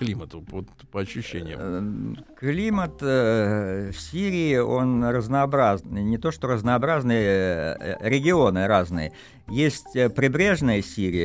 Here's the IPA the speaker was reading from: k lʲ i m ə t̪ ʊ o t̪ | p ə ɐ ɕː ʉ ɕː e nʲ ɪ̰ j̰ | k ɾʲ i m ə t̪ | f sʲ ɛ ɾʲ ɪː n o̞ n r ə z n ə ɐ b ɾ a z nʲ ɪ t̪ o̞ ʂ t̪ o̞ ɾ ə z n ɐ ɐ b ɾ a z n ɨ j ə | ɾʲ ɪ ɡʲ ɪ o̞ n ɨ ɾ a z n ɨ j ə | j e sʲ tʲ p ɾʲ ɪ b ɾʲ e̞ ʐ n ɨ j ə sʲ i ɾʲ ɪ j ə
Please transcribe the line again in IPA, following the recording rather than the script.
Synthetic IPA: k lʲ i m ə t̪ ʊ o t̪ | p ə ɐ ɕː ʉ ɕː e nʲ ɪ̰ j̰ | k lʲ i m ə t̪ | f sʲ i ɾʲ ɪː o̞ n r ə z n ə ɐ b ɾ a z nʲ ɪ t̪ o̞ ʂ t̪ o̞ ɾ ə z n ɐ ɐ b ɾ a z n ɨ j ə | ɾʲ ɪ ɡʲ ɪ o̞ n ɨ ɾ a z n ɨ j ə | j e sʲ tʲ p ɾʲ ɪ b ɾʲ e̞ ʐ n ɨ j ə sʲ i ɾʲ ɪ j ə